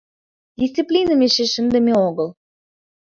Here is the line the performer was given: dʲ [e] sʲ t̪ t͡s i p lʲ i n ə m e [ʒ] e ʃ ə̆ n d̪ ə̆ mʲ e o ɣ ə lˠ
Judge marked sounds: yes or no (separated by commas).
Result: no, no